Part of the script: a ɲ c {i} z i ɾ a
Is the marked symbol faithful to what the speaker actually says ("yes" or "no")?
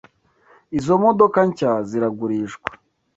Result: no